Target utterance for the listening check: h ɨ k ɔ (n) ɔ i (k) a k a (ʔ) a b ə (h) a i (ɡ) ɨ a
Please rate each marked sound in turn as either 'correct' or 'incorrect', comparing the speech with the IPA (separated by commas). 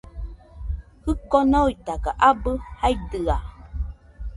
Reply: correct, incorrect, correct, correct, incorrect